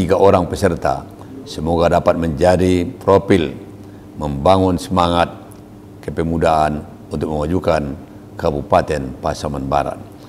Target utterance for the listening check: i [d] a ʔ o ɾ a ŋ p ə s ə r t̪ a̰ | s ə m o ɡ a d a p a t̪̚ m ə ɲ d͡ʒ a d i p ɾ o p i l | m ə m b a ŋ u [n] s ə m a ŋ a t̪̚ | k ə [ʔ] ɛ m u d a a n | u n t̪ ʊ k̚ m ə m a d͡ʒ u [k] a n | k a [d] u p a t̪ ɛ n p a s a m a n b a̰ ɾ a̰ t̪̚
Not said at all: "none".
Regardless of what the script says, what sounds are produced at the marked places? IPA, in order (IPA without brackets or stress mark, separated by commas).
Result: ɡ, n, p, k, b